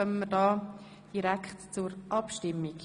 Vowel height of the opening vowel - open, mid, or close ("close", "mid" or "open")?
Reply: mid